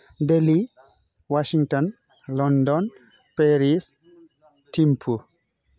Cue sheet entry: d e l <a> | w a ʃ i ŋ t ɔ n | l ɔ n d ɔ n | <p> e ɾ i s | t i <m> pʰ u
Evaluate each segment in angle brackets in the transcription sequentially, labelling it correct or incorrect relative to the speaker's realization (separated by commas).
incorrect, correct, correct